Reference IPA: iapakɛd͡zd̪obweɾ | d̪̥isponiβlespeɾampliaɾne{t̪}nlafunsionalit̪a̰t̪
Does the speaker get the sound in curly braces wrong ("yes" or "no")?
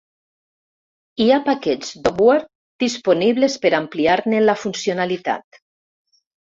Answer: yes